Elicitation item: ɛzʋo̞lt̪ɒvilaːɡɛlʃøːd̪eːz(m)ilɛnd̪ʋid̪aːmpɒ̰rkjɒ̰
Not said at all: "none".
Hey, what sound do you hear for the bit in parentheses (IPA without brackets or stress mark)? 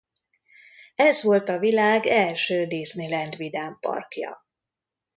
n